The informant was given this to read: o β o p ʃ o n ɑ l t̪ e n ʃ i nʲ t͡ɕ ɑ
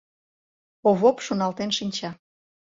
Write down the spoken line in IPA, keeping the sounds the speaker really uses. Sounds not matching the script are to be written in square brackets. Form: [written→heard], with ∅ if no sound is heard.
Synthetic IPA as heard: o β o p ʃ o n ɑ l t̪ e n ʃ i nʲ t͡ɕ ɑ